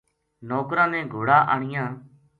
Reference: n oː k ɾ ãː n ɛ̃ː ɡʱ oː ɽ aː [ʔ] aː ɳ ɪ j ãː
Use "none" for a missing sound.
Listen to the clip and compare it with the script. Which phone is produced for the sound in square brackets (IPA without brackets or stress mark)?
ʔ